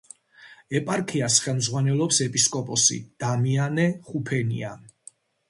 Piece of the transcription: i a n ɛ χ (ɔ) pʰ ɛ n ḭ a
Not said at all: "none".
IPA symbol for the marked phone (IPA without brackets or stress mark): u